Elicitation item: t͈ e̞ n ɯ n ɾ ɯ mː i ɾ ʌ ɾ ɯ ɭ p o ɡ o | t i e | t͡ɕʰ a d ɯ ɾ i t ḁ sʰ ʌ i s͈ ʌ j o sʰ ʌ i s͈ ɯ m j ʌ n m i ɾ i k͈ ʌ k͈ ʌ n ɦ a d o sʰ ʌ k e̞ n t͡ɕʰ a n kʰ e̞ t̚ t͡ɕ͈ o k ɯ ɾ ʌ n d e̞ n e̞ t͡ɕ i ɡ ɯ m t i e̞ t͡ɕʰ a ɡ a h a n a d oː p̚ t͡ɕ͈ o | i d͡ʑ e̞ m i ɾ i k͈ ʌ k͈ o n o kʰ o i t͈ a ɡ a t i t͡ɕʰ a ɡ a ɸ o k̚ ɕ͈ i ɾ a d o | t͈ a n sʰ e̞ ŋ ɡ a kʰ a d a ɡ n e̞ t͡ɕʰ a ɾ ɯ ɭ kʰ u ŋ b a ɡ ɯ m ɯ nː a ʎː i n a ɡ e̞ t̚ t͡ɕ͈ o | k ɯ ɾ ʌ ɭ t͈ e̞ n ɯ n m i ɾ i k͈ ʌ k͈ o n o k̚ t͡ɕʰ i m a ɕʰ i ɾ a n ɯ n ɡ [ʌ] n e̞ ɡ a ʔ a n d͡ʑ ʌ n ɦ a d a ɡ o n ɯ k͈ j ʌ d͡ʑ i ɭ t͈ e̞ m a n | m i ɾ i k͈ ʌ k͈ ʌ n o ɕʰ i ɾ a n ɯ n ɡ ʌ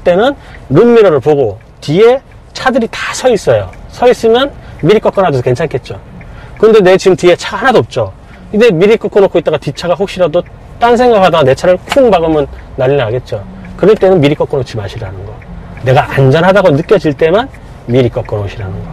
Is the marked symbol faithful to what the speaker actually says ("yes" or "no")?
yes